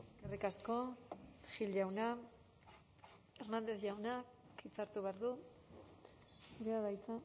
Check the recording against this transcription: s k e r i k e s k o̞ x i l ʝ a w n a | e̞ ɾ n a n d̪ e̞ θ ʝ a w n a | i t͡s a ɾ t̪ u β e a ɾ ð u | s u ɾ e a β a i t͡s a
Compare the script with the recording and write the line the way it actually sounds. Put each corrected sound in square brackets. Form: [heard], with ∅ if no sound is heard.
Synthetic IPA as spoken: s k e r i k [a] s k o̞ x i l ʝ a w n a | e̞ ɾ n a n d̪ e̞ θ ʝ a w n a | i t͡s a ɾ t̪ u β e a ɾ ð u | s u ɾ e a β a [j] t͡s a